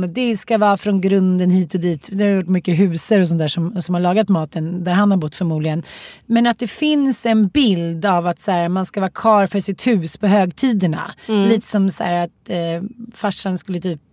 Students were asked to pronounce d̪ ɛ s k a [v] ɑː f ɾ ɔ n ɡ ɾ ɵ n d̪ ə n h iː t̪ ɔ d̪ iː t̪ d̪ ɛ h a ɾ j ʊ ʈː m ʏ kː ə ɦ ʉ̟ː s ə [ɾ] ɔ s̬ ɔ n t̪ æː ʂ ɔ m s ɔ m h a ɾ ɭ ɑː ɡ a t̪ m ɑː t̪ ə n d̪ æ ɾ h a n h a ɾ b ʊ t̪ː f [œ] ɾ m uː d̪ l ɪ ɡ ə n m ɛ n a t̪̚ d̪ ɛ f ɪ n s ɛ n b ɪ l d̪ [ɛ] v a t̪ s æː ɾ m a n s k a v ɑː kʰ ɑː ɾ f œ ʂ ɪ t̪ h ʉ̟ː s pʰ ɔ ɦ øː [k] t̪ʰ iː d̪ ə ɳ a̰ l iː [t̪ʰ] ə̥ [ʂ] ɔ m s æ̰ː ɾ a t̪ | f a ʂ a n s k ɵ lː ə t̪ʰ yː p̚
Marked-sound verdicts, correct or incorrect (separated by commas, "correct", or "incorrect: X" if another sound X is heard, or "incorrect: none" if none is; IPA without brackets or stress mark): correct, correct, correct, incorrect: a, incorrect: ɡ, incorrect: t̪, incorrect: s